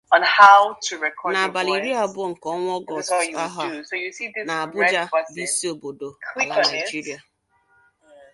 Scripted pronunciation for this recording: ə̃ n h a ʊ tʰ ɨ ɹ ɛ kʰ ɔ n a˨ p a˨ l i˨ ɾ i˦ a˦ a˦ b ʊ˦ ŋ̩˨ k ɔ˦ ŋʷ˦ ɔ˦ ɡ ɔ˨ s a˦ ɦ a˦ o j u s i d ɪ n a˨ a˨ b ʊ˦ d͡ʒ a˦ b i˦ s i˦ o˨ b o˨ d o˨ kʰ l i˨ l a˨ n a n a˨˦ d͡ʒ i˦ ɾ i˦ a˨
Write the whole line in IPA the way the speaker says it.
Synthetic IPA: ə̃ n h a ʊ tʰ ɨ ɹ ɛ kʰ ɔ n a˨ b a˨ l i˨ ɾ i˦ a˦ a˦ b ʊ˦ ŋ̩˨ k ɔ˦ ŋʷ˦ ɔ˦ ɡ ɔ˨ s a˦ ɦ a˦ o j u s i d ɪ n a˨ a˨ b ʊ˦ d͡ʒ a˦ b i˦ s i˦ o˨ b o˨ d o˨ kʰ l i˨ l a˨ n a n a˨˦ d͡ʒ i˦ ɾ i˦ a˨